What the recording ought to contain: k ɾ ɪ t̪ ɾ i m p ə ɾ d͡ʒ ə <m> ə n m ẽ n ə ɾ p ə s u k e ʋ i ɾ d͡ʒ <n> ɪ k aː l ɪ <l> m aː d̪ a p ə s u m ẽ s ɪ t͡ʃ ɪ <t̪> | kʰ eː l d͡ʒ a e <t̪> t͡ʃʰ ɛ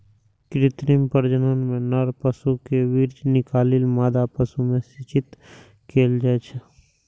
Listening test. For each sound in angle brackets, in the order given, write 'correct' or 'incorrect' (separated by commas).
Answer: incorrect, correct, correct, correct, incorrect